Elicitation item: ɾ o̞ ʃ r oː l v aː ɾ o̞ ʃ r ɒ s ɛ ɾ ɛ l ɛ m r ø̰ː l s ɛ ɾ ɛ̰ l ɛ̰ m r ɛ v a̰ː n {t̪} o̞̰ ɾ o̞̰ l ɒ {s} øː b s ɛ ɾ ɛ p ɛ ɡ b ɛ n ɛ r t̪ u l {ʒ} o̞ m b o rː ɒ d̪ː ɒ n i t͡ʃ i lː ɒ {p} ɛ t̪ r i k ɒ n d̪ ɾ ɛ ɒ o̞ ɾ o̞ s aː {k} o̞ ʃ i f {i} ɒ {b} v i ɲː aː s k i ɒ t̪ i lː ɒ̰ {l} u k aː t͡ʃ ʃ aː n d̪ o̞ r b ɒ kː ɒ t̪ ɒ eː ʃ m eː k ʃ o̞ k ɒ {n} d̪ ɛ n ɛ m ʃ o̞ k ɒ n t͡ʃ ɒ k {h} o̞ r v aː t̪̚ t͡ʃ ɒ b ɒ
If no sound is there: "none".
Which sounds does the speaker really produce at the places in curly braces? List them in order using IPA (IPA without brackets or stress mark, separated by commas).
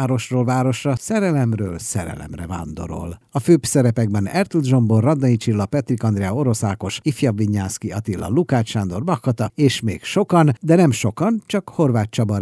d̪, f, ʒ, p, k, j, b, l, n, h